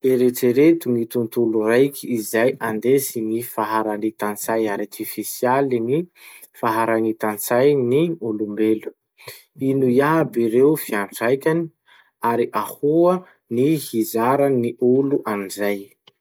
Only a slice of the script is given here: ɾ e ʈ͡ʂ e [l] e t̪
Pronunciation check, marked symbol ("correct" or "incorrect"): incorrect